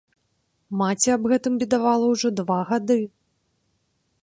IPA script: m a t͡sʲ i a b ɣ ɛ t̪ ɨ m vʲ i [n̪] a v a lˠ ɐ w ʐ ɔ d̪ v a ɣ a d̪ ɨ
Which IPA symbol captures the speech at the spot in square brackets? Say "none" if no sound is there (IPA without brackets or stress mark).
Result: d̪